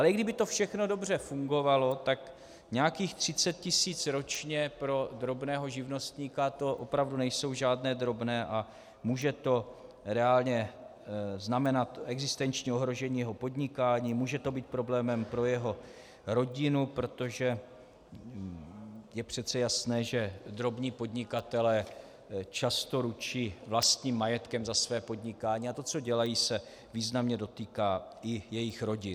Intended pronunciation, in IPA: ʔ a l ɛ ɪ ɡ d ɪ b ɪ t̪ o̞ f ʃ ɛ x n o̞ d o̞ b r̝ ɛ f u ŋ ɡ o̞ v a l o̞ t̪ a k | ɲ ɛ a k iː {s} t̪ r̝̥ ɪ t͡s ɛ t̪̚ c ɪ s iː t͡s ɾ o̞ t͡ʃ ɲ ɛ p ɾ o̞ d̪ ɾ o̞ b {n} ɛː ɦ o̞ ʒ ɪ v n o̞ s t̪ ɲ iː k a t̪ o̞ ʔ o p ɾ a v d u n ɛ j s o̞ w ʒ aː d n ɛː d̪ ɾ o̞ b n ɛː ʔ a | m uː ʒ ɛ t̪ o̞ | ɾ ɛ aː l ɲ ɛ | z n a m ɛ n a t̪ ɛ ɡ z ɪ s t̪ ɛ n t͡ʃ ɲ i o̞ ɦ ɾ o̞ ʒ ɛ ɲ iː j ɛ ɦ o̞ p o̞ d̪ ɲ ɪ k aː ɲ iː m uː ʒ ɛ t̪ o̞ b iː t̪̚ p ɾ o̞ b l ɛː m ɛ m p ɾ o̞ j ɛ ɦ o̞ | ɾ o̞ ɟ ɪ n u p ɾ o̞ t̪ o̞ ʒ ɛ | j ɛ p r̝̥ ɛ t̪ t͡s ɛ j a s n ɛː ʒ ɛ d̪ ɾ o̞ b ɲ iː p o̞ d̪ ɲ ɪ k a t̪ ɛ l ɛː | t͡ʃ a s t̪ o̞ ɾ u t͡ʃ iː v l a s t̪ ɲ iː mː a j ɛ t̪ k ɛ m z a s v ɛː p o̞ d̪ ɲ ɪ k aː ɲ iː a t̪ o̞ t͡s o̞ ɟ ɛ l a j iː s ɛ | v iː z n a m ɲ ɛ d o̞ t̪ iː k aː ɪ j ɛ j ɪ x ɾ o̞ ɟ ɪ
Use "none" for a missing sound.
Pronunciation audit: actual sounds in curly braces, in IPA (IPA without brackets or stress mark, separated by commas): x, n